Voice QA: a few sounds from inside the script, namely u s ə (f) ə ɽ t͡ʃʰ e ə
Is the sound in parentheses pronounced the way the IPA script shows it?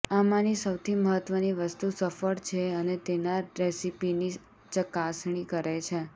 yes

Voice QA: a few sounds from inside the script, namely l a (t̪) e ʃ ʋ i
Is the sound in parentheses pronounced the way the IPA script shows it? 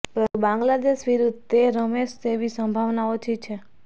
no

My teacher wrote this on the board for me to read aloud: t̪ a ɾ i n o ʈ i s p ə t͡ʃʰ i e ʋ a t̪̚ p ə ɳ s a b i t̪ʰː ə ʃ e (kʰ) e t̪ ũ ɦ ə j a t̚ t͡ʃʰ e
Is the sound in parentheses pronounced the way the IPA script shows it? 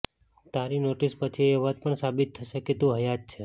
no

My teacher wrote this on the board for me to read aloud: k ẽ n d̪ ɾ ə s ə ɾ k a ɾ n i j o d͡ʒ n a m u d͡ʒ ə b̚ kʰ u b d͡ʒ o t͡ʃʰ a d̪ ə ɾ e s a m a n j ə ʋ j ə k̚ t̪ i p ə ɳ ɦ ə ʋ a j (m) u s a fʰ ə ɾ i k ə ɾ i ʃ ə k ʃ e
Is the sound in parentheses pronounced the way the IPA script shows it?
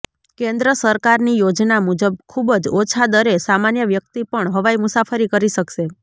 yes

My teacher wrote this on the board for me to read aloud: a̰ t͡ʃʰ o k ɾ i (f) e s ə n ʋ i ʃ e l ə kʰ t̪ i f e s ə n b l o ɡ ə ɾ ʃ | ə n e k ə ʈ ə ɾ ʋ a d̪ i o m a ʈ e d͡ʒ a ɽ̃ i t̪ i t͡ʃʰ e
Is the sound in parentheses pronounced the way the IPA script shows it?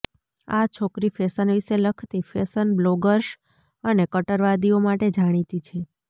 yes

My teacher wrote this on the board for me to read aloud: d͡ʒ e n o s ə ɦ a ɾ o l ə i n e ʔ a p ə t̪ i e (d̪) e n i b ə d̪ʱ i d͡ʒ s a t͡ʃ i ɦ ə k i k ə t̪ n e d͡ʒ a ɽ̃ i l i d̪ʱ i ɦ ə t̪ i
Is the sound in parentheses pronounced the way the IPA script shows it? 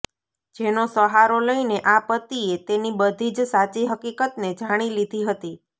no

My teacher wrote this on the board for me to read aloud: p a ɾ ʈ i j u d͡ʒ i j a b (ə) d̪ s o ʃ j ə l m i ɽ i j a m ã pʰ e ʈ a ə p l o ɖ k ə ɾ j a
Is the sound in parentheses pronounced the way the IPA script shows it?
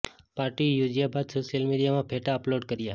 no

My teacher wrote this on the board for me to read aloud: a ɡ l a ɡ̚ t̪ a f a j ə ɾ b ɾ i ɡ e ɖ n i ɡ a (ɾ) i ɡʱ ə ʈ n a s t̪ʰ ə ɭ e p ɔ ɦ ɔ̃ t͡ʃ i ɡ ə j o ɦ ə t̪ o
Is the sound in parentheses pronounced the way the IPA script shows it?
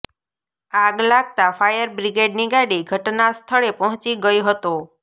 no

